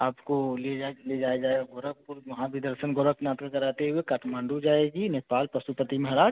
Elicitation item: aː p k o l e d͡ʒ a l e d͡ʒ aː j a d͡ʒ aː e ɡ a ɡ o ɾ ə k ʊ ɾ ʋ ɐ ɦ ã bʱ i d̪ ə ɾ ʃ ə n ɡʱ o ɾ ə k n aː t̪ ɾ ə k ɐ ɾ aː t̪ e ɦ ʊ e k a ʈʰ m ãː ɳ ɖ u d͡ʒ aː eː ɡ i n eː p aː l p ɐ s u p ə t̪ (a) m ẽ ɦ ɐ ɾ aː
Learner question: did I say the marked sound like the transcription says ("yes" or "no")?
no